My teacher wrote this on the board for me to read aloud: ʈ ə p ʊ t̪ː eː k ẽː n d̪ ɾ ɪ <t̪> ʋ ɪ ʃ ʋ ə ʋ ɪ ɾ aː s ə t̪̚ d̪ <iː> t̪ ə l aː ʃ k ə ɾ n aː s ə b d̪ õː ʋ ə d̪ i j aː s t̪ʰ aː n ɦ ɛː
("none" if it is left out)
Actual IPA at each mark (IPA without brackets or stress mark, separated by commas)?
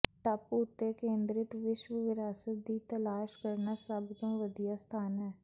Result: t̪, iː